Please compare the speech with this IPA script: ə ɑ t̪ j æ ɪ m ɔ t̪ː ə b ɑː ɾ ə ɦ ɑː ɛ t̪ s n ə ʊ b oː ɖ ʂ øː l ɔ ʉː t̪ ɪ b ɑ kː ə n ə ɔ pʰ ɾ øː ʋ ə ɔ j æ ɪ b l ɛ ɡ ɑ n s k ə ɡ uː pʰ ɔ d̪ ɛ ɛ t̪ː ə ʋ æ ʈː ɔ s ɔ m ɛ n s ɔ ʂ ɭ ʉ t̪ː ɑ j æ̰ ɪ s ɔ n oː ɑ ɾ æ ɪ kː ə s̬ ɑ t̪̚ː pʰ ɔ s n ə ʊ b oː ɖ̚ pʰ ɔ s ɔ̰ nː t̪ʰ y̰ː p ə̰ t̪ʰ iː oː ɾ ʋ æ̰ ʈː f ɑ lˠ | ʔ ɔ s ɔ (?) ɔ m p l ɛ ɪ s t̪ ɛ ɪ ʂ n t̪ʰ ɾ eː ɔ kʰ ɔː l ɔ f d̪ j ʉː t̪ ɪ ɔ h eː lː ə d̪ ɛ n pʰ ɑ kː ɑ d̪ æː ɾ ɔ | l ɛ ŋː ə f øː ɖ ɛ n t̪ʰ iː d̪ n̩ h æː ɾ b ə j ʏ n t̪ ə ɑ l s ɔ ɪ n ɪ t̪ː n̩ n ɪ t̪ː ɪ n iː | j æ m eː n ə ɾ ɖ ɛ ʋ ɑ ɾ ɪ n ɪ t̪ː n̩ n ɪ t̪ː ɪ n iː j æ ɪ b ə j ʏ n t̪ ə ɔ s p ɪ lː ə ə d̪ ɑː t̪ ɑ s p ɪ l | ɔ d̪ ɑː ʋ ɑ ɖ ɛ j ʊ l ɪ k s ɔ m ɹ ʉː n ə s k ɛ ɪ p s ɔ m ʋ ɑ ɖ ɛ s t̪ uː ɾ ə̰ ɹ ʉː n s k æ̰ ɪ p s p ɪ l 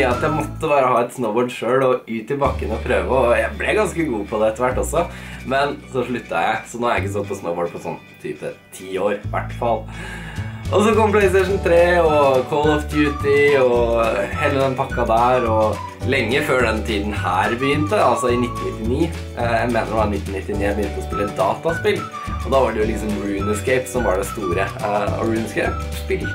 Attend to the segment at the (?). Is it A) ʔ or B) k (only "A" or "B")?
B